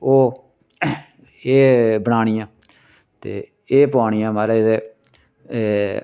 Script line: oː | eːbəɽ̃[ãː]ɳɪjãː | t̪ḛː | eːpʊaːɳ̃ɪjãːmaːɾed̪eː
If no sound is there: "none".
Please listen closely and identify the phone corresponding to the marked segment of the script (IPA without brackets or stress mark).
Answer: aː